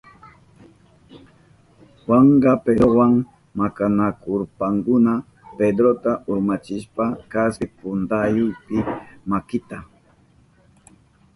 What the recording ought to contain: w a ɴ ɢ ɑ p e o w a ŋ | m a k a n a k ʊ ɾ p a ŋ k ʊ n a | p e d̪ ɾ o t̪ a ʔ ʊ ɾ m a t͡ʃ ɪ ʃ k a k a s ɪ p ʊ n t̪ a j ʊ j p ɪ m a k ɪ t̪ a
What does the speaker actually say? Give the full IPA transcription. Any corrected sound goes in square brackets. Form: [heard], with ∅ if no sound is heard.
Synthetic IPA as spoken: w a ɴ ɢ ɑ p e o w a ŋ | m a k a n a k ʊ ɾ p a ŋ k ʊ n a | p e d̪ ɾ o t̪ a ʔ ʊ ɾ m a t͡ʃ ɪ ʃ [p] a k a s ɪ p ʊ n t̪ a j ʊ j p ɪ m a k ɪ t̪ a